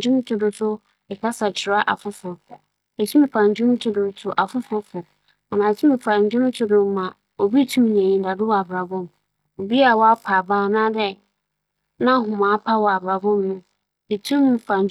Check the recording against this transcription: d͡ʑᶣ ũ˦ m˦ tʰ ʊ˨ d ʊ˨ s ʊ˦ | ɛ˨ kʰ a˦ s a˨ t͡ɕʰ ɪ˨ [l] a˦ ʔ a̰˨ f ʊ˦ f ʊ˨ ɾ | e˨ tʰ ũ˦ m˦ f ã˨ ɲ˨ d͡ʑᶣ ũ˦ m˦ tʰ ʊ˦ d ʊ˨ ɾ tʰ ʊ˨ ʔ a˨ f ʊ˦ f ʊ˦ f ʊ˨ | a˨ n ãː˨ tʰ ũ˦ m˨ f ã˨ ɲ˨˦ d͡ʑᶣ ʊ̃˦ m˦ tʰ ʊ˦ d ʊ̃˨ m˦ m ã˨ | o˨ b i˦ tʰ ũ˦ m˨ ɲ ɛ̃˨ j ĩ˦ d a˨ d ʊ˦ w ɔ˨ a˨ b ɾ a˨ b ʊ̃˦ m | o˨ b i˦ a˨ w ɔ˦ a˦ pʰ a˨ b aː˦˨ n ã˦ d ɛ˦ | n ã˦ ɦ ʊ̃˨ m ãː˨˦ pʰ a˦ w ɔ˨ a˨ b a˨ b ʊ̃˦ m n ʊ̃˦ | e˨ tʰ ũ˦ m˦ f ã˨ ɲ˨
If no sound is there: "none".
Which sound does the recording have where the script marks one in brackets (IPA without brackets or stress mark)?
ɾ